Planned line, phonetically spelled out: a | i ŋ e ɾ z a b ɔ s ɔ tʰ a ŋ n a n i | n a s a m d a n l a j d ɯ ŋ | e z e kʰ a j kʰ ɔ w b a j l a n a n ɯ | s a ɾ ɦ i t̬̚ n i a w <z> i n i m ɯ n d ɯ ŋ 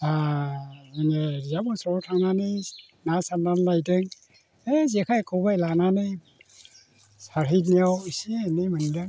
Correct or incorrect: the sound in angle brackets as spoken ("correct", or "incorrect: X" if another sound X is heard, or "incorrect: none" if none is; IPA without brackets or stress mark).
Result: incorrect: s